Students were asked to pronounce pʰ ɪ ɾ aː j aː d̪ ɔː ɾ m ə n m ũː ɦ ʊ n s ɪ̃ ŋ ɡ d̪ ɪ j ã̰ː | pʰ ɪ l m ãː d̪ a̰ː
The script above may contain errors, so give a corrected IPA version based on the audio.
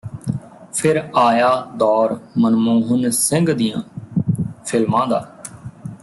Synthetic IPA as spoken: pʰ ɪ ɾ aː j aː d̪ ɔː ɾ m ə n m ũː ɦ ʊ n s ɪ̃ ŋ ɡ d̪ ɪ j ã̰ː | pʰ ɪ l m ãː d̪ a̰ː